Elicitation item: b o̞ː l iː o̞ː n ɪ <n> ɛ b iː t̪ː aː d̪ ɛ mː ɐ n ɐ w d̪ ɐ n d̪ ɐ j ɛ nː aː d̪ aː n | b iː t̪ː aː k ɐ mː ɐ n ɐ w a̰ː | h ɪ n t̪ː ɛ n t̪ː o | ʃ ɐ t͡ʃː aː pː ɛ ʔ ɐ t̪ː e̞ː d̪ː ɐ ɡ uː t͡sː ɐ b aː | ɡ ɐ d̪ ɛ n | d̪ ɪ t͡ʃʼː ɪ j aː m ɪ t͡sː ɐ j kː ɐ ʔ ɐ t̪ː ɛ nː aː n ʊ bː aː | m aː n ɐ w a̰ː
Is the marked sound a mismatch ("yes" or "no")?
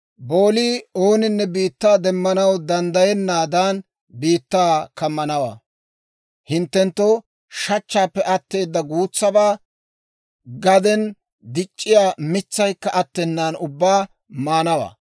yes